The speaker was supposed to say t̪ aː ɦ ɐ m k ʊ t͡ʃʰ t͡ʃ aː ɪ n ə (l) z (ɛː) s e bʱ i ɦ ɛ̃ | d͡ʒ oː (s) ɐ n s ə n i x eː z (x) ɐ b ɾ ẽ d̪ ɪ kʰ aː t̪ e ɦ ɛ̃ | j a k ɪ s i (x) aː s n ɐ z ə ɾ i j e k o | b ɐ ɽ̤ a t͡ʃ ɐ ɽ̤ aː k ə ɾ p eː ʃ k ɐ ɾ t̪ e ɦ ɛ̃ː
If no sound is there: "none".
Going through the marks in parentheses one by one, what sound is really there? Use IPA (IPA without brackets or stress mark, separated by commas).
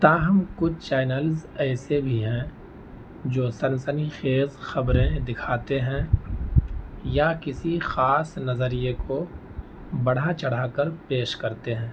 l, ɛː, s, x, x